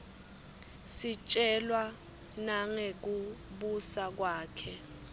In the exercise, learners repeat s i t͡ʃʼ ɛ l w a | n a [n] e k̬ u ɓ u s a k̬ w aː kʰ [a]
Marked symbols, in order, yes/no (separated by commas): no, no